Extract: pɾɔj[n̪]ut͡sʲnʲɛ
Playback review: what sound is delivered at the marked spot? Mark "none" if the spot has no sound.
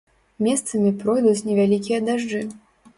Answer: d̪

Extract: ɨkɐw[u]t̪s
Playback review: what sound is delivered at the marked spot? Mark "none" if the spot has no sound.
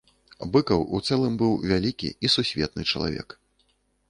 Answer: u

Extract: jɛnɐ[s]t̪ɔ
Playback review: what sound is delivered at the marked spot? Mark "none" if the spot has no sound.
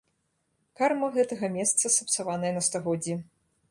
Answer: s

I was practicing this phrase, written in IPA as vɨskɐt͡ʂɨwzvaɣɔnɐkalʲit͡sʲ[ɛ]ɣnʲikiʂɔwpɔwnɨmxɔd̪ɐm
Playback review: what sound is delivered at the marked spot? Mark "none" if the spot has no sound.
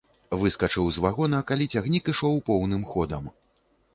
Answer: a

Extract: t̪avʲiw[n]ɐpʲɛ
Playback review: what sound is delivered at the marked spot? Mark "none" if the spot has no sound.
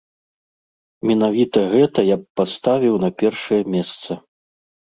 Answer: n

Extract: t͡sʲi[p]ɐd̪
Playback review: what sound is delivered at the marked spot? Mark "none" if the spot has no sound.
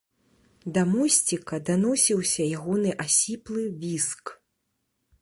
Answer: k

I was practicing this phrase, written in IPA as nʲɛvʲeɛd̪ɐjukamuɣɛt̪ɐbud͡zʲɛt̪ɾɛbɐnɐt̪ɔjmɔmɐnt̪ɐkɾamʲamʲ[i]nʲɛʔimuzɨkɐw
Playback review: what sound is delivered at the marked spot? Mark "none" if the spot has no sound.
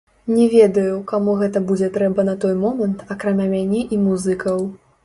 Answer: a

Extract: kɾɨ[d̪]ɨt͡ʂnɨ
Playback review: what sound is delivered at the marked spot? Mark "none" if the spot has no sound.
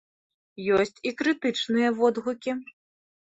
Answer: t̪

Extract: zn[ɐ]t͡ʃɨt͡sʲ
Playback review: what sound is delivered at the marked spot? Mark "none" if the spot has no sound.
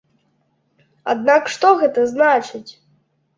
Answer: a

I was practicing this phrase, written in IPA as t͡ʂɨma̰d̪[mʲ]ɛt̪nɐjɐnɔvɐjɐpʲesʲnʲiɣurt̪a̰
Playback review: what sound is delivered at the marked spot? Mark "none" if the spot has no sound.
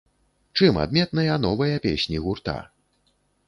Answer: mʲ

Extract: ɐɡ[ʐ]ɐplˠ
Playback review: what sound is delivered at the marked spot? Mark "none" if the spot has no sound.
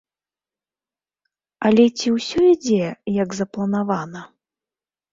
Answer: z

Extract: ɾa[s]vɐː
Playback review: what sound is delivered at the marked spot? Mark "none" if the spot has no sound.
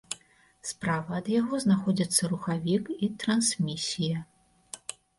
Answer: none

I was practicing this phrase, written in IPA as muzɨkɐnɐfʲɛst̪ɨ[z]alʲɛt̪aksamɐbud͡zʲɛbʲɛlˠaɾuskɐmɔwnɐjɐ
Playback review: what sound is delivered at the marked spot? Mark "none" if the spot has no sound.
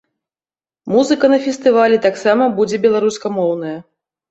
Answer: v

